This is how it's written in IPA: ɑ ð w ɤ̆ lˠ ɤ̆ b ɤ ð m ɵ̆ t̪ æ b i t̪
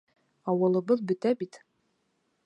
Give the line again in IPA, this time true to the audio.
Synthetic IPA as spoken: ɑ w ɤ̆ lˠ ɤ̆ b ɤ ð b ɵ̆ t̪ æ b i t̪